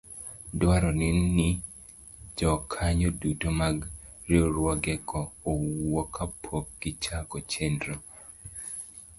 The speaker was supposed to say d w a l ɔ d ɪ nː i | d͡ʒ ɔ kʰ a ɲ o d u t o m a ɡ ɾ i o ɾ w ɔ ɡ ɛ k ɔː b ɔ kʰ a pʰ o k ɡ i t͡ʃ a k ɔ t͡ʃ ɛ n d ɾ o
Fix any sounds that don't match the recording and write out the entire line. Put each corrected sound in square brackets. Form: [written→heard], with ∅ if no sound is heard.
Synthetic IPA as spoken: d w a [l→ɾ] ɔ [d→n] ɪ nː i | d͡ʒ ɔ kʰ a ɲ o d u t o m a ɡ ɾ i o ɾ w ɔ ɡ ɛ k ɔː [b→w] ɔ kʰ a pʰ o k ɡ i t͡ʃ a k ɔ t͡ʃ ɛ n d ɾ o